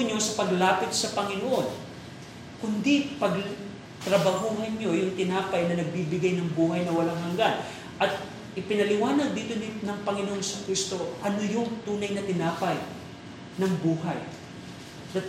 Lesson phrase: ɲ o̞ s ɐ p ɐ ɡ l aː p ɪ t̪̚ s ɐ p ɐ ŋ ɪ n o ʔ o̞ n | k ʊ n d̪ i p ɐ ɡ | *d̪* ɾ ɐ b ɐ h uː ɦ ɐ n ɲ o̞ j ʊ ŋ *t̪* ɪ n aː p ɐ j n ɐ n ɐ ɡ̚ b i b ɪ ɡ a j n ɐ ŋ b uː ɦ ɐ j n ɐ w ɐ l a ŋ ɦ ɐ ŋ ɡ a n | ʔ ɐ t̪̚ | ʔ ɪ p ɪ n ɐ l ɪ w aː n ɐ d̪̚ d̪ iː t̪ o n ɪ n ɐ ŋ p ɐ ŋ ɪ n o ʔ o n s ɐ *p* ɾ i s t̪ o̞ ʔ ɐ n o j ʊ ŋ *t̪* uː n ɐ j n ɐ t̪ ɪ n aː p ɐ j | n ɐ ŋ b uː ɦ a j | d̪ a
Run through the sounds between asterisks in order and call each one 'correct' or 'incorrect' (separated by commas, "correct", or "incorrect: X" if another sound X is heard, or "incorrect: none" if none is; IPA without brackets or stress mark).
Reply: incorrect: t̪, correct, incorrect: k, correct